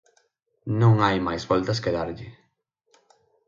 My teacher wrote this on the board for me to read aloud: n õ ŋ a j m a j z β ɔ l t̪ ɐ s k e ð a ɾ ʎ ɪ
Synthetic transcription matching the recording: n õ ŋ a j m a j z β ɔ l t̪ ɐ s k e ð a ɾ ʎ ɪ